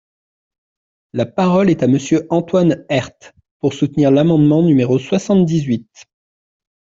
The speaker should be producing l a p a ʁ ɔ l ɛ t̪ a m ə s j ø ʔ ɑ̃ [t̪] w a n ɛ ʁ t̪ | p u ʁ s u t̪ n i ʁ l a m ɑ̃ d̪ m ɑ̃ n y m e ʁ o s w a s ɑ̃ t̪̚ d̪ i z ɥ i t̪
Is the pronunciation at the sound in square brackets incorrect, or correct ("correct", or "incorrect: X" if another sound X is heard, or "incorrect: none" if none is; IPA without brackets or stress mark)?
correct